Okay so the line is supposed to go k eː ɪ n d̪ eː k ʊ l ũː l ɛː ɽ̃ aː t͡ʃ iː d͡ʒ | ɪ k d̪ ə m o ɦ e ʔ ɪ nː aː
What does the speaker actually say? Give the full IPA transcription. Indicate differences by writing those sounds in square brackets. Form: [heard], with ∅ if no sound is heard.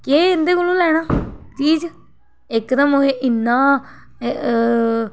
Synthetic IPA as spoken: k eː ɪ n d̪ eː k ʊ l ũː l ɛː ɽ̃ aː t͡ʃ iː d͡ʒ | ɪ k d̪ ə m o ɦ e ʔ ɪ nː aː